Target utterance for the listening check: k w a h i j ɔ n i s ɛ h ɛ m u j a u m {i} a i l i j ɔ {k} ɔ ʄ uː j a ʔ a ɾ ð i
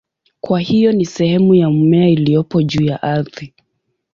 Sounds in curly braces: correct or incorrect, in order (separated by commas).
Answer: incorrect, incorrect